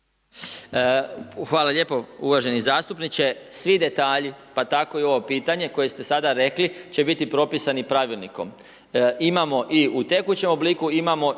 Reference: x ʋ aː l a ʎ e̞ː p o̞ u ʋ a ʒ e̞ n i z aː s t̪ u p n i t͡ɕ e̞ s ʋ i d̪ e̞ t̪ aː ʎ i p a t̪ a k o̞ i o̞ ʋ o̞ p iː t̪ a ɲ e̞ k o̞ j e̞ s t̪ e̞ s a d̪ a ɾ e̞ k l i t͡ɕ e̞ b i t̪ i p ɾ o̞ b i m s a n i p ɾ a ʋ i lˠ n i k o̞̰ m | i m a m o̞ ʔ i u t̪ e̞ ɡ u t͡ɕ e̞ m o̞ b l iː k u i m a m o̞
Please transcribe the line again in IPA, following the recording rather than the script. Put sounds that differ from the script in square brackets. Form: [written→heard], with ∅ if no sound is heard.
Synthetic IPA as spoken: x ʋ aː l a ʎ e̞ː p o̞ u ʋ a ʒ e̞ n i z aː s t̪ u p n i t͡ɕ e̞ s ʋ i d̪ e̞ t̪ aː ʎ i p a t̪ a k o̞ i o̞ ʋ o̞ p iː t̪ a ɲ e̞ k o̞ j e̞ s t̪ e̞ s a d̪ a ɾ e̞ k l i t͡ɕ e̞ b i t̪ i p ɾ o̞ [b→p] i [m→∅] s a n i p ɾ a ʋ i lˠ n i k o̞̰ m | i m a m o̞ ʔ i u t̪ e̞ [ɡ→k] u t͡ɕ e̞ m o̞ b l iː k u i m a m o̞